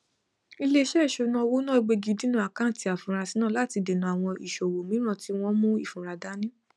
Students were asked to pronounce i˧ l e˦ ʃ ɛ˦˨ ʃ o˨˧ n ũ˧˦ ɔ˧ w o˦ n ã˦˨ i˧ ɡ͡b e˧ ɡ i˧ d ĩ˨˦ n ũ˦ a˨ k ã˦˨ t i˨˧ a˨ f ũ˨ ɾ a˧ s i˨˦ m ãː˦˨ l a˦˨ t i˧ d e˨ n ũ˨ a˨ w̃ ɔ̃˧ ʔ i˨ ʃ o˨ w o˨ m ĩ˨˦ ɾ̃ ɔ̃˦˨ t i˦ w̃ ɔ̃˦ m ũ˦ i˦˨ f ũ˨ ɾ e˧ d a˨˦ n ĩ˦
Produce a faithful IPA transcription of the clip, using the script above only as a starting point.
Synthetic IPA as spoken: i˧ l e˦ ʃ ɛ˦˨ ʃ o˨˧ n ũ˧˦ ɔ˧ w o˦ n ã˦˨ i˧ ɡ͡b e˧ ɡ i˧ d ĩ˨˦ n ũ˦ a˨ k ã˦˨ t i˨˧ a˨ f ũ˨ ɾ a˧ s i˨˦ n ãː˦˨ l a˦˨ t i˧ d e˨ n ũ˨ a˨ w̃ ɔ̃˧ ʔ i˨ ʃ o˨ w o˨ m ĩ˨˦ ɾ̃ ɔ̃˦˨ t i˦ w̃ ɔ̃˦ m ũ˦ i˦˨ f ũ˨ ɾ a˧ d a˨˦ n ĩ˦

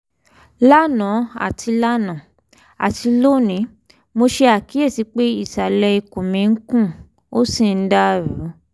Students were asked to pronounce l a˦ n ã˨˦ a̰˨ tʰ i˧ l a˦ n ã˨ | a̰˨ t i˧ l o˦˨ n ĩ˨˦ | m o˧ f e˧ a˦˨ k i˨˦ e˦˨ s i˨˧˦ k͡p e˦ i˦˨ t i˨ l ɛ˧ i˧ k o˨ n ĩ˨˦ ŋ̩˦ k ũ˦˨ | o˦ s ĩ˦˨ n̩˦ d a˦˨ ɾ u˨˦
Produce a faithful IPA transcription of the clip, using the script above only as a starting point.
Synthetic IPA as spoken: l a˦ n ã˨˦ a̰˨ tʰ i˧ l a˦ n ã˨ | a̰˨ t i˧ l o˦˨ n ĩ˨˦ | m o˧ ʃ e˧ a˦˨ k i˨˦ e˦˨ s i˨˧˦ k͡p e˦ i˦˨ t a˨ l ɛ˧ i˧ k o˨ m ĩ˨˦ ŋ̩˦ k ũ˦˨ | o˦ s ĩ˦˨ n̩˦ d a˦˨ ɾ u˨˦

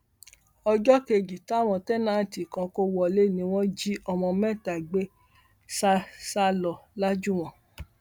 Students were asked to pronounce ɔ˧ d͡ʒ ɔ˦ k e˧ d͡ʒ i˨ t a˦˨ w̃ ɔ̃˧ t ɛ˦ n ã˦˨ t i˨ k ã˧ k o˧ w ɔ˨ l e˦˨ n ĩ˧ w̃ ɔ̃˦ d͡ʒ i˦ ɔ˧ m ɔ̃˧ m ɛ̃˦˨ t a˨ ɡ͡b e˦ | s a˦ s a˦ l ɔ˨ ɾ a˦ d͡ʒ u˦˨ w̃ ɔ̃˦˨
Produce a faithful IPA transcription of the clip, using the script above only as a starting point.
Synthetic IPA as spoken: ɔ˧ d͡ʒ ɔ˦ k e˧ d͡ʒ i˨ t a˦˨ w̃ ɔ̃˧ t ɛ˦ n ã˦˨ t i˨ k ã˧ k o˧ w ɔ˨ l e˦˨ n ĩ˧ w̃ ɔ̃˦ d͡ʒ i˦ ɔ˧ m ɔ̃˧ m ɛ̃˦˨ t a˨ ɡ͡b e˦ | s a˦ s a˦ l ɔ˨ l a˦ d͡ʒ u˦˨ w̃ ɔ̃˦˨

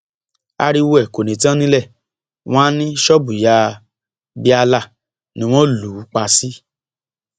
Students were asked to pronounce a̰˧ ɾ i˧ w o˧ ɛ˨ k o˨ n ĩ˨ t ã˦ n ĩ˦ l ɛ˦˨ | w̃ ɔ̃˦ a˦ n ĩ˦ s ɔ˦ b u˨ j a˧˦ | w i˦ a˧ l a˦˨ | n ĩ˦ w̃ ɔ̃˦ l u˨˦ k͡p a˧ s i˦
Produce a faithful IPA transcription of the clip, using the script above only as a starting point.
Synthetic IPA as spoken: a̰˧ ɾ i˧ w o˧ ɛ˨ k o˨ n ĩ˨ t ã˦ n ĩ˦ l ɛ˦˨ | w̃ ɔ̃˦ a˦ n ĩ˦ ʃ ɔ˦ b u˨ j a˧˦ | b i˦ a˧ l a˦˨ | n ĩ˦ w̃ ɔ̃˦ l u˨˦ k͡p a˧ s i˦

